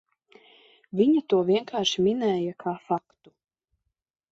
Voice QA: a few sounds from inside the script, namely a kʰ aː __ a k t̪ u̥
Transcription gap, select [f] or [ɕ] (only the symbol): f